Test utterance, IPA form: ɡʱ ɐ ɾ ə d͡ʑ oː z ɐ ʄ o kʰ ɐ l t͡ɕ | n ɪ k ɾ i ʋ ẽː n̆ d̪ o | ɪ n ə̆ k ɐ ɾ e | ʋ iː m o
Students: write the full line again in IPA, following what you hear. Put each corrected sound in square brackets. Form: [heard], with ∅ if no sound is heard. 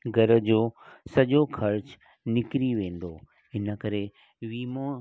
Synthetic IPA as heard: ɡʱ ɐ ɾ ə d͡ʑ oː [s] ɐ ʄ o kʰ ɐ [ɾ] t͡ɕ | n ɪ k ɾ i ʋ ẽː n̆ d̪ o | ɪ n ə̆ k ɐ ɾ e | ʋ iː m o